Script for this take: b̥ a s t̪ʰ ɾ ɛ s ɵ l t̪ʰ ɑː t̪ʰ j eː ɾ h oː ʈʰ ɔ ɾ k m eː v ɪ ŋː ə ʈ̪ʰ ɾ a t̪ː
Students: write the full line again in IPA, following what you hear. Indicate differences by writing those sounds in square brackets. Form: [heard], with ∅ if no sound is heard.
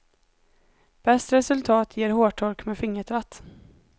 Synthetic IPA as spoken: b̥ [ɛ] s [t̪] ɾ ɛ s ɵ l t̪ʰ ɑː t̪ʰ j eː ɾ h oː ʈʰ ɔ ɾ k m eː [f] ɪ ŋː ə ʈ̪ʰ ɾ a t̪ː